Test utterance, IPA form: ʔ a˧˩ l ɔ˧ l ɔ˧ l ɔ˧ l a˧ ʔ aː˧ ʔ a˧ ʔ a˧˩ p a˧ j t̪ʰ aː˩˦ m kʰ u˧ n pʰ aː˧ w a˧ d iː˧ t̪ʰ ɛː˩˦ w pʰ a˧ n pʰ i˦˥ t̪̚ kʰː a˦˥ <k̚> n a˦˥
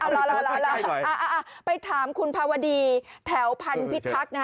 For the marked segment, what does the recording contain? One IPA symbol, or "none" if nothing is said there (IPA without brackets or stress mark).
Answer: k̚